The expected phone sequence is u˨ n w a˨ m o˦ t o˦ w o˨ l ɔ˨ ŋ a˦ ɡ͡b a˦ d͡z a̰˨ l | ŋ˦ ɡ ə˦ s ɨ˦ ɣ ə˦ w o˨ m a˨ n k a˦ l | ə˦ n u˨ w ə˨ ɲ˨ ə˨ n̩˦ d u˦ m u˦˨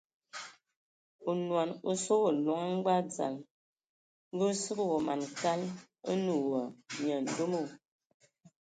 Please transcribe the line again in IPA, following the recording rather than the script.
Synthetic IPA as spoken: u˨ n w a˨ n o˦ s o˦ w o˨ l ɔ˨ ŋ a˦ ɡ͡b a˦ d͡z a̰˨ l | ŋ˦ ɡ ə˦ s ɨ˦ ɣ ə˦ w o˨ m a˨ n k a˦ l | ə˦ n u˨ w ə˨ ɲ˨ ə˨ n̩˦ d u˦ m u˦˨

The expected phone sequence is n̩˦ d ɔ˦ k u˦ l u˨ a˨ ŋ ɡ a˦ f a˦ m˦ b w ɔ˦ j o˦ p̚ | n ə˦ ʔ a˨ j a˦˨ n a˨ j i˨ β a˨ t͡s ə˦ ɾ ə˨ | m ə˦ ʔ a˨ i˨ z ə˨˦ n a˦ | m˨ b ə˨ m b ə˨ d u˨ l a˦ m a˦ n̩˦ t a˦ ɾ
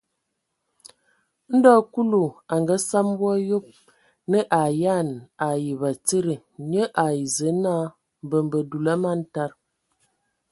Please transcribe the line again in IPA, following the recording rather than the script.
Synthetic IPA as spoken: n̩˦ d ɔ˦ k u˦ l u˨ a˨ ŋ ɡ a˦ s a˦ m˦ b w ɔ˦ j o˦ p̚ | n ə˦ ʔ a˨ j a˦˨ n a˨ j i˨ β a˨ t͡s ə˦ ɾ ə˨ | ɲ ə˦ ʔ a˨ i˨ z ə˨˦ n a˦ | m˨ b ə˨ m b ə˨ d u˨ l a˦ m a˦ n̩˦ t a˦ ɾ

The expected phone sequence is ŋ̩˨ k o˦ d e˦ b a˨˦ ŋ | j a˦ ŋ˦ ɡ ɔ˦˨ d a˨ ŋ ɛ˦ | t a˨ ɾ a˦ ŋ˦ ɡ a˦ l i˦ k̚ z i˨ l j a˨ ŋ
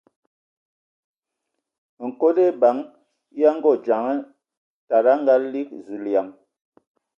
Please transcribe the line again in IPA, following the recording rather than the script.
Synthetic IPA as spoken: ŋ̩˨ k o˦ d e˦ b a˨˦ ŋ | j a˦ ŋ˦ ɡ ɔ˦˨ d͡ʒ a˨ ŋ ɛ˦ | t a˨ ɾ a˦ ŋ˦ ɡ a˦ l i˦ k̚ z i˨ l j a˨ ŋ

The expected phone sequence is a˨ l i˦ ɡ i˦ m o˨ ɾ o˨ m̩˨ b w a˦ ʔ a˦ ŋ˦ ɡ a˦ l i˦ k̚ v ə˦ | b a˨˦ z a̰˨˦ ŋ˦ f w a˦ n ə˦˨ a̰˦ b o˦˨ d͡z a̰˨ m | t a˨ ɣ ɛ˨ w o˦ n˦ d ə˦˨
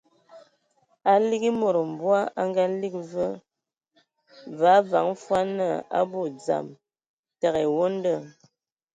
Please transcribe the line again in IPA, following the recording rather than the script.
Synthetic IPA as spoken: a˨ l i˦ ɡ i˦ m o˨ ɾ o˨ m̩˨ b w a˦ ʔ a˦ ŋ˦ ɡ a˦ l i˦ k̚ v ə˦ | v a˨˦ v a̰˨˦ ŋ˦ f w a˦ n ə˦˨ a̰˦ b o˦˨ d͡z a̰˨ m | t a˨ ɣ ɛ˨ w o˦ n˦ d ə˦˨

